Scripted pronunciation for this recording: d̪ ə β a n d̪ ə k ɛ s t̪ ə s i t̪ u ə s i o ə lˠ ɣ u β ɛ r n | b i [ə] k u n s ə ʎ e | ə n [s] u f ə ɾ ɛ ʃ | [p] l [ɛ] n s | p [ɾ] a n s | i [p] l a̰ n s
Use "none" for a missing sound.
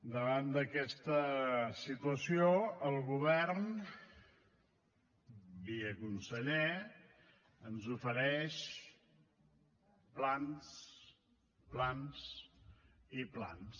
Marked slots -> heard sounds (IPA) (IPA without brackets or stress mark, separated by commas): ə, z, p, a, l, p